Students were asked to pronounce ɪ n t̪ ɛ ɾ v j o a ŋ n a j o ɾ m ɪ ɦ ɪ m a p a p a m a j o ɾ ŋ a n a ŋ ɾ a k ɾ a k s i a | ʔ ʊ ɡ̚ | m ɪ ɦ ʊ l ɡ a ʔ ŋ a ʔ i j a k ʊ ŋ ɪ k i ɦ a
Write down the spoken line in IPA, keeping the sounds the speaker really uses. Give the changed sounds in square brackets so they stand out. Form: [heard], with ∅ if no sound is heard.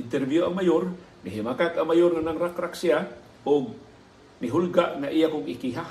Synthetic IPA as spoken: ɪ n t̪ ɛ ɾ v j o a ŋ [m] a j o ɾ m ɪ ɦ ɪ m a [k] a [k] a m a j o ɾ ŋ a n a ŋ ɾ a k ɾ a k s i a | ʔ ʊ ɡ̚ | m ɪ ɦ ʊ l ɡ a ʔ ŋ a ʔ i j a k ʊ ŋ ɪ k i ɦ a